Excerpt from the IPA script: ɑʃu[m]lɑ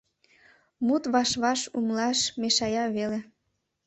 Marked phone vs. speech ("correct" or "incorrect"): correct